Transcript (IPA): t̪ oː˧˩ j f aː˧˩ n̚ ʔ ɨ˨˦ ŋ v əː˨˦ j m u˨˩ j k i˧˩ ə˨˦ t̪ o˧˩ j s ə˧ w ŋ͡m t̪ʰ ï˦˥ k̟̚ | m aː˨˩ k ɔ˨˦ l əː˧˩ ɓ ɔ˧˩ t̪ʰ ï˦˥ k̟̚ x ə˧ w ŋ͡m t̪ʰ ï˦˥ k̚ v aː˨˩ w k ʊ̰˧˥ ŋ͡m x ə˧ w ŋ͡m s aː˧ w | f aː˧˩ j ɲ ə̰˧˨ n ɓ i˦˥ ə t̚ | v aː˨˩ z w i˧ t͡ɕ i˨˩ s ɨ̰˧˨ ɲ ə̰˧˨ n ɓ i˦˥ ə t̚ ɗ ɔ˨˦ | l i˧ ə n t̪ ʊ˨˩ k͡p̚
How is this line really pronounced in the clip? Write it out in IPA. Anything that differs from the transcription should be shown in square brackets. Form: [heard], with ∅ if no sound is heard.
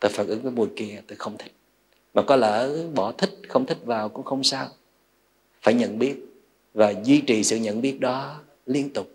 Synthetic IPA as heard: t̪ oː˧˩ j f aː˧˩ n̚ ʔ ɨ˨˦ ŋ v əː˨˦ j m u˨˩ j k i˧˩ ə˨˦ t̪ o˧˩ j [x] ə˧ w ŋ͡m t̪ʰ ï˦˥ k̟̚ | m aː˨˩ k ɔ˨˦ l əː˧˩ ɓ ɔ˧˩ t̪ʰ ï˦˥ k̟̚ x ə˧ w ŋ͡m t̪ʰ ï˦˥ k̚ v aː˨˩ w k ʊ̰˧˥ ŋ͡m x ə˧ w ŋ͡m s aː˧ w | f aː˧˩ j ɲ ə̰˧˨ n ɓ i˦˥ ə t̚ | v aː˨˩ z w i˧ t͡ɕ i˨˩ s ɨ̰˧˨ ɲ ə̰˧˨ n ɓ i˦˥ ə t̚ ɗ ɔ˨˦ | l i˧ ə n t̪ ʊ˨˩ k͡p̚